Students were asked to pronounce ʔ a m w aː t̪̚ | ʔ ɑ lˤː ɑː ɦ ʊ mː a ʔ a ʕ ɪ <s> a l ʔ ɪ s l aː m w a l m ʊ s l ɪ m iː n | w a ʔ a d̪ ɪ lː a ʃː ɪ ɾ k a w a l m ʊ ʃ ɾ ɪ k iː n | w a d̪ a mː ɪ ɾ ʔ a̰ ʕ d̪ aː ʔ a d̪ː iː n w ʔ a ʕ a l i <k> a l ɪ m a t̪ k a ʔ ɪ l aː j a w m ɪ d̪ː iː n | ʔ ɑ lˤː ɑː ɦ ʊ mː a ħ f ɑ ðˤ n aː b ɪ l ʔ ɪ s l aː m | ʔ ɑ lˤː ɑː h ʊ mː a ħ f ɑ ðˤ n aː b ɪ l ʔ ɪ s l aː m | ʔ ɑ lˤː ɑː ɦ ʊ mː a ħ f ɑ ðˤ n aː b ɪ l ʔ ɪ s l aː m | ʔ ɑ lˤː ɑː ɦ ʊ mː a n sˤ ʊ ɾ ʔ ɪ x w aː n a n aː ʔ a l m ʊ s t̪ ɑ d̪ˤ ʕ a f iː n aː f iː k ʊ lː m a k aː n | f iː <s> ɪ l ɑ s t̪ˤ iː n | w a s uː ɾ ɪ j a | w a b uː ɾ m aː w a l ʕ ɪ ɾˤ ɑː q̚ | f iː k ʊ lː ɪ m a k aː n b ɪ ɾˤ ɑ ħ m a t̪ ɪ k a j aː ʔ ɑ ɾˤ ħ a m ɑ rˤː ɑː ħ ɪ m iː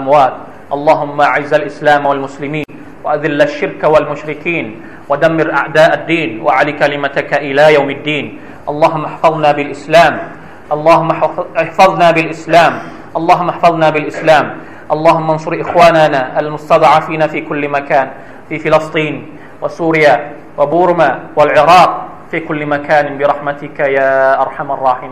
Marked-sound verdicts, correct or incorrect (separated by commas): incorrect, correct, incorrect